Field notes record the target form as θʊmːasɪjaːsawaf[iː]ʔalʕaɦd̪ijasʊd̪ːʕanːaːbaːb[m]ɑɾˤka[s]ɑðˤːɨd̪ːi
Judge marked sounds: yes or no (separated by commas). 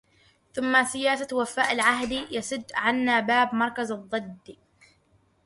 no, yes, no